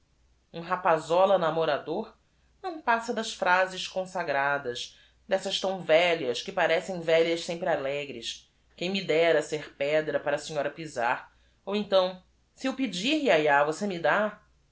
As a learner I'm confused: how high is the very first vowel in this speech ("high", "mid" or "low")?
high